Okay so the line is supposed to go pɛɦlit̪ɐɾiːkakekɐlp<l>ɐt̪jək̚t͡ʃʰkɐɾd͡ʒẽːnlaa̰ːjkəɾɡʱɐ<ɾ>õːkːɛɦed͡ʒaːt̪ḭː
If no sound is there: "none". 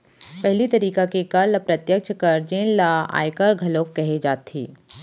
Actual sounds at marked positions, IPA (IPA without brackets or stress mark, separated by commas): ɾ, l